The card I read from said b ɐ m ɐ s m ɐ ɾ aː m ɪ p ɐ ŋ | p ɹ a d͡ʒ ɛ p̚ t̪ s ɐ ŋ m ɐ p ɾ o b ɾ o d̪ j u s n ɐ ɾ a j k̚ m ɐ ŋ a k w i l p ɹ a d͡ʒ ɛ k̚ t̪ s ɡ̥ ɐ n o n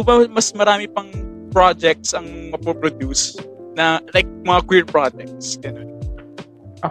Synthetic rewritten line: b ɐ m ɐ s m ɐ ɾ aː m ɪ p ɐ ŋ | p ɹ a d͡ʒ ɛ k̚ t̪ s ɐ ŋ m ɐ p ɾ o p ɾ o d̪ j u s n ɐ l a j k̚ m ɐ ŋ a k w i ɹ p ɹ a d͡ʒ ɛ k̚ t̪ s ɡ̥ ɐ n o n